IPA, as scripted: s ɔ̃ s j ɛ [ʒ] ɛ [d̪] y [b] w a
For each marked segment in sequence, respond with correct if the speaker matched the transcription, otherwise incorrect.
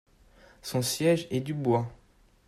correct, correct, correct

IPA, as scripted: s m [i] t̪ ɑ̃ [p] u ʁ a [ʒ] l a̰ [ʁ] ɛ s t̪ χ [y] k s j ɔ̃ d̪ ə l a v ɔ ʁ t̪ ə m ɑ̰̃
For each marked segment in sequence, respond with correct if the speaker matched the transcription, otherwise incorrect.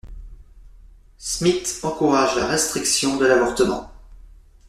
correct, incorrect: k, correct, correct, incorrect: i

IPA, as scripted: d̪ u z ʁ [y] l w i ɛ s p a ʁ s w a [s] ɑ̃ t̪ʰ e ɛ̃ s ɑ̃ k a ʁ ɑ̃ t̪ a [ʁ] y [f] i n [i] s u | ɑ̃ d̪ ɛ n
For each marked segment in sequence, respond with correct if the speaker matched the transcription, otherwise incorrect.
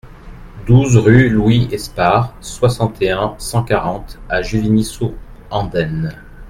correct, correct, incorrect: ʒ, incorrect: v, correct

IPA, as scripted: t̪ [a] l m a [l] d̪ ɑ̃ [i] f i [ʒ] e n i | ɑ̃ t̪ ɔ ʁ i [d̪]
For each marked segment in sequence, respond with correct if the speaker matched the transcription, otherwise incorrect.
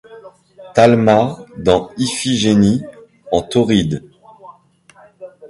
correct, incorrect: none, correct, correct, correct

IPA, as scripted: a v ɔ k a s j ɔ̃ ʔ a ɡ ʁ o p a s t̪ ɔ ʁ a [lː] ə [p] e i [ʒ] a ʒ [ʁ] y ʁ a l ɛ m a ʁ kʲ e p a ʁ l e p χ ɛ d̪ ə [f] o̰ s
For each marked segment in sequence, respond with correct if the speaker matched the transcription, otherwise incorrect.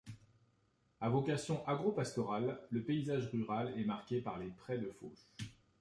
correct, correct, incorrect: z, correct, correct

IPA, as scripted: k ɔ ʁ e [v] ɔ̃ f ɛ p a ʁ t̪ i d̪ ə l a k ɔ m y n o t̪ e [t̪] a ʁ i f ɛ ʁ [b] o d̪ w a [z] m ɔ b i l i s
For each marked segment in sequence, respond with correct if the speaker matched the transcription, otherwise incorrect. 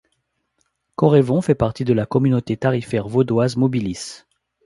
correct, correct, incorrect: v, correct

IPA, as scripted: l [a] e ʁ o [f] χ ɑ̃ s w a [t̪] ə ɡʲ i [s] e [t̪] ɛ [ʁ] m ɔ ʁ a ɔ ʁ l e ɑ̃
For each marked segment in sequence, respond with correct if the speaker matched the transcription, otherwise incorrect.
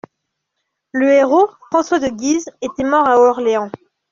incorrect: ə, correct, incorrect: d̪, incorrect: z, correct, incorrect: none

